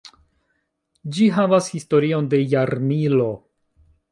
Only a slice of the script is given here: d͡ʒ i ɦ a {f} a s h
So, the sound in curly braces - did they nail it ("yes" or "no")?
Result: no